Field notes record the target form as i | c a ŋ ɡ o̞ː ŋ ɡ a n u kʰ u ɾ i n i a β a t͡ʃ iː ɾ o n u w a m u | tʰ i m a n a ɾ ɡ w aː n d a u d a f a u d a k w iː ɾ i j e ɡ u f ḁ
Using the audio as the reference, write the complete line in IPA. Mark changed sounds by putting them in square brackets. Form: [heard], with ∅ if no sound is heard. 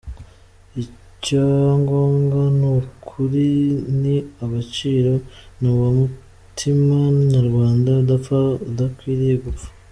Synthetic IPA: i | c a ŋ ɡ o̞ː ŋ ɡ a n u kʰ u ɾ i n i a β a t͡ʃ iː ɾ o n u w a m u | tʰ i m a n a ɾ ɡ w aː n d a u d a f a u d a k w iː ɾ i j e ɡ u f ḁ